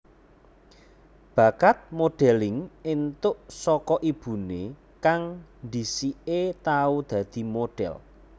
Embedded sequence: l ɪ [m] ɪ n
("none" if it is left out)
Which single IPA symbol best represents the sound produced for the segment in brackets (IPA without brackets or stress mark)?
ŋ